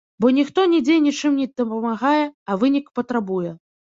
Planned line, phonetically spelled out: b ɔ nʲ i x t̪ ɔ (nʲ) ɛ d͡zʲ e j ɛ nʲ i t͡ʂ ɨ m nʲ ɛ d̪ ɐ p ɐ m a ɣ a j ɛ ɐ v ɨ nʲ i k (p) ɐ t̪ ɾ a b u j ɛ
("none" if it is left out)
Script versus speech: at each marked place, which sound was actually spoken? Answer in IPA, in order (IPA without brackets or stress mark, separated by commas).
nʲ, p